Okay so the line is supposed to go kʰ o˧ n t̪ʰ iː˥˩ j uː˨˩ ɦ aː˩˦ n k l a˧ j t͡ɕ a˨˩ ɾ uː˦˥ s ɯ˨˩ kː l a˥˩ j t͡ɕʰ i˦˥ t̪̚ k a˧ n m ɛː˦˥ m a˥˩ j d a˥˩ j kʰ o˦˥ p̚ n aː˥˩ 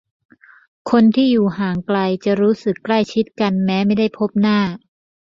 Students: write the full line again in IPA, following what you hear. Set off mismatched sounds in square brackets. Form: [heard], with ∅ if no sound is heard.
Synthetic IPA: kʰ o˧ n t̪ʰ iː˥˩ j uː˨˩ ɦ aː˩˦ [ŋ] k l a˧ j t͡ɕ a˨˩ ɾ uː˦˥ s ɯ˨˩ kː l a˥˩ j t͡ɕʰ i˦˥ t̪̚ k a˧ n m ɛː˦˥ m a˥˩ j d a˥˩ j [pʰ] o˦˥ p̚ n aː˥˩

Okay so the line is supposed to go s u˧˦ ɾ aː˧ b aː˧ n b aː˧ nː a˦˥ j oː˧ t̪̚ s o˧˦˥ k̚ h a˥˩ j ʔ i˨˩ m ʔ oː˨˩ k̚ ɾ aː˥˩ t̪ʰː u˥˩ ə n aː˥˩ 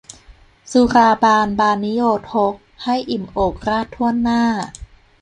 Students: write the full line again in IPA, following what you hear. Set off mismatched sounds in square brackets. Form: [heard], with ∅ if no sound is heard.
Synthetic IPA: s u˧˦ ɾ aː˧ b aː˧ n b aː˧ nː [i˦˥] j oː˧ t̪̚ [h] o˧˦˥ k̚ h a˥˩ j ʔ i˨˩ m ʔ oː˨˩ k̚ ɾ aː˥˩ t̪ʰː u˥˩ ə [nː] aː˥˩

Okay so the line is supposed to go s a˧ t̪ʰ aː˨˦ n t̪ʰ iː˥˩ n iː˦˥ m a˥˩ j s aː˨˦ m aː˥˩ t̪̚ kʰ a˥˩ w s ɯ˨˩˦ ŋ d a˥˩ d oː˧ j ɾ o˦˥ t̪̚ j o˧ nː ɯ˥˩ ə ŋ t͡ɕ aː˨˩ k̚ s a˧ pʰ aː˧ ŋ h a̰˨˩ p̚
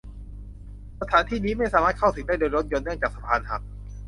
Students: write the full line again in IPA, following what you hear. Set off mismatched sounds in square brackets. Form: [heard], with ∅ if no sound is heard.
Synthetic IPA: s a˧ t̪ʰ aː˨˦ n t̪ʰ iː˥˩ n iː˦˥ m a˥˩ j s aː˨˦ m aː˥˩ t̪̚ kʰ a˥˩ w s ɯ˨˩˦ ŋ d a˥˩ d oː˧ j ɾ o˦˥ t̪̚ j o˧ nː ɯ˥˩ ə ŋ t͡ɕ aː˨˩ k̚ s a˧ pʰ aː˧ [n] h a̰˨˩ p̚

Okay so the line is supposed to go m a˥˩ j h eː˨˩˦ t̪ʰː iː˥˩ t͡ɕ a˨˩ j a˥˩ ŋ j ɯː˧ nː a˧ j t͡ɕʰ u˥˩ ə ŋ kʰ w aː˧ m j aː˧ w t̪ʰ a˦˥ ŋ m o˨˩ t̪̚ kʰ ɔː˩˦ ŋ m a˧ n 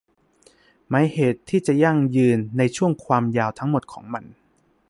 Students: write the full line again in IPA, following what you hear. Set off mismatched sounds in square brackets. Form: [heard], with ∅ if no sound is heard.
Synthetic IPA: m [a˦˥] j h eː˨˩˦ t̪ʰː iː˥˩ t͡ɕ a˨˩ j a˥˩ ŋ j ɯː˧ nː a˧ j t͡ɕʰ u˥˩ ə ŋ kʰ w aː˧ m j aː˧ w t̪ʰ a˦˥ ŋ m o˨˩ t̪̚ kʰ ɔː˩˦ ŋ m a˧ n

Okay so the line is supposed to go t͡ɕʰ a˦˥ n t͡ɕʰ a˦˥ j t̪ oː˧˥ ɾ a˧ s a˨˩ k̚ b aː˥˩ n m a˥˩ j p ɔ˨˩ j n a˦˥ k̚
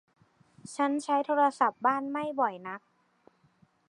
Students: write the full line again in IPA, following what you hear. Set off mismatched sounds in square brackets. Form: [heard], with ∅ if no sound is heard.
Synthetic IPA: t͡ɕʰ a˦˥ n t͡ɕʰ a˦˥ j [t̪ʰ] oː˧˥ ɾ a˧ s a˨˩ [p̚] b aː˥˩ n m a˥˩ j [b] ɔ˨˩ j n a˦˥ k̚

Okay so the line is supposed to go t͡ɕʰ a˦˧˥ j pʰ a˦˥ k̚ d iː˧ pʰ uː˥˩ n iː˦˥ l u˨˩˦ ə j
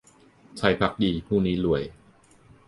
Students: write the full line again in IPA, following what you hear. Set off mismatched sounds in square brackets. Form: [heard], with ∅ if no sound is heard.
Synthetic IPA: t͡ɕʰ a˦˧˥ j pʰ a˦˥ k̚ d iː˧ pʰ uː˥˩ n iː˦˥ l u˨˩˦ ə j

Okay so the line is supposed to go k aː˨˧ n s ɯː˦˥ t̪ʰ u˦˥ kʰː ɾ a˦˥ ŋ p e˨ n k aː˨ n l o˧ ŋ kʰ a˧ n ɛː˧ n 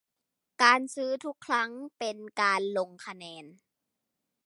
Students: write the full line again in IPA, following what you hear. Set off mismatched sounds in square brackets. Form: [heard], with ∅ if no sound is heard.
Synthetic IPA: k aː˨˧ n s ɯː˦˥ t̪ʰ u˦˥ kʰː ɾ a˦˥ ŋ p e˨ n k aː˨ n l o˧ ŋ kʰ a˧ n ɛː˧ n

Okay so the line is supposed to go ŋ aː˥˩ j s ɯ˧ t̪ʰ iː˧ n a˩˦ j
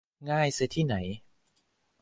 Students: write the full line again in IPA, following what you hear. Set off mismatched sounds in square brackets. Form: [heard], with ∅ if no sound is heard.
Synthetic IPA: ŋ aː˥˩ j s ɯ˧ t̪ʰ [iː˥˩] n a˩˦ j

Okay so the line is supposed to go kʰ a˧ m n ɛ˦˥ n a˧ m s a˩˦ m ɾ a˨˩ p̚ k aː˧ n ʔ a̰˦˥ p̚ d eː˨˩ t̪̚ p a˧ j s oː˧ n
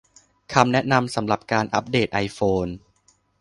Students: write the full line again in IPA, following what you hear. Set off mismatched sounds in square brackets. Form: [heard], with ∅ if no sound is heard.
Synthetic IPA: kʰ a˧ m n ɛ˦˥ n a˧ m s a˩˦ m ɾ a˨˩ p̚ k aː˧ n ʔ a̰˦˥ p̚ d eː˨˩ t̪̚ [ʔ] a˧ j [f] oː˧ n

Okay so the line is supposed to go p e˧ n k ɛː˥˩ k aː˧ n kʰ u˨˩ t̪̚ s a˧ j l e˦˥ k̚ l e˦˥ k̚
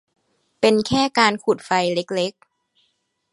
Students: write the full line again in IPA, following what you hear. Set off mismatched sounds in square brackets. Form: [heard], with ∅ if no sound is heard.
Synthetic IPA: p e˧ n [kʰ] ɛː˥˩ k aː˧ n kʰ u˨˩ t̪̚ [f] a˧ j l e˦˥ k̚ l e˦˥ k̚

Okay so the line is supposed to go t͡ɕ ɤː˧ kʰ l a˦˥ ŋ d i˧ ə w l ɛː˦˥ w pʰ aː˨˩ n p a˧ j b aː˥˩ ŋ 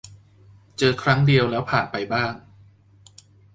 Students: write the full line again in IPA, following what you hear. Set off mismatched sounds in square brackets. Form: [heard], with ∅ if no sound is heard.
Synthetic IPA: t͡ɕ ɤː˧ kʰ [ɾ] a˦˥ ŋ d i˧ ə w l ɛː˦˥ w pʰ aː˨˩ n p a˧ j b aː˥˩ ŋ

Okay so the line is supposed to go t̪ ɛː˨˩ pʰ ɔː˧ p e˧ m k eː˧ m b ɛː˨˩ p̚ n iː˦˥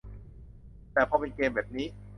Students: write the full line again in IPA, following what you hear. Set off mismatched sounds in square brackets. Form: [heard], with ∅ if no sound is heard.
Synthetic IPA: t̪ ɛː˨˩ pʰ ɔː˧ p e˧ [n] k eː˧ m b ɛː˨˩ p̚ n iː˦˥

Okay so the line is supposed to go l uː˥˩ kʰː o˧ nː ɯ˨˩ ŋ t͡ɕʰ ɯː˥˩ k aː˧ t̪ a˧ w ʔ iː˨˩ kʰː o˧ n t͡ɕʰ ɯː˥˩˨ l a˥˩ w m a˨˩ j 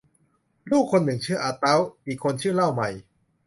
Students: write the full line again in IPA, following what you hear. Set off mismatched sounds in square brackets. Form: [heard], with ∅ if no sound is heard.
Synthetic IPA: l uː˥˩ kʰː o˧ nː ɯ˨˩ ŋ t͡ɕʰ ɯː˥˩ [ʔ] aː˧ t̪ [a˦˥] w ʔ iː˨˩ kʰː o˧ n t͡ɕʰ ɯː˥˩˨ l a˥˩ w m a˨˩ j

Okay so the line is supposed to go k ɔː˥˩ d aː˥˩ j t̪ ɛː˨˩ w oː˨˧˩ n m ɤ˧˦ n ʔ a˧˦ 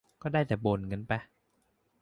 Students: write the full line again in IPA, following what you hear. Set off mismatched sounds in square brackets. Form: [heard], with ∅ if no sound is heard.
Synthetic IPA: k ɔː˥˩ d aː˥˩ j t̪ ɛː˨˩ [b] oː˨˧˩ n [ŋ] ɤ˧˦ n [p] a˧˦

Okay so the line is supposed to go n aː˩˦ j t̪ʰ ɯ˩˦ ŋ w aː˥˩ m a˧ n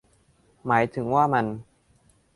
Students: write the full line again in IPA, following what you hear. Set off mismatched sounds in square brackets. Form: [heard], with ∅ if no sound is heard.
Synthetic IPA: [m] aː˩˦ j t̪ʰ ɯ˩˦ ŋ w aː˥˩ m a˧ n

